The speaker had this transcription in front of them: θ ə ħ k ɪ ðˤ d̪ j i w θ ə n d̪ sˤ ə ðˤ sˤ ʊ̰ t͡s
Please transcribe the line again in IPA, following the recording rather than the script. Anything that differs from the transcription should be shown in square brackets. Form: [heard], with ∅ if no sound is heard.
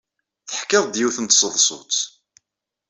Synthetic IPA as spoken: θ ə ħ k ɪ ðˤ d̪ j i w θ ə n [t̪] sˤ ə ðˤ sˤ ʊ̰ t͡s